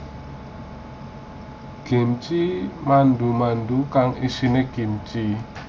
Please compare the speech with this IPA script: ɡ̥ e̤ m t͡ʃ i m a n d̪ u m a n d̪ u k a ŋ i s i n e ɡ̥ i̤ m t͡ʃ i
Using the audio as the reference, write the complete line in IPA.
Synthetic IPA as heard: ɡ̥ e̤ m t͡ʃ i m a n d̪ u m a n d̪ u k a ŋ i s i n e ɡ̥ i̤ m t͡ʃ i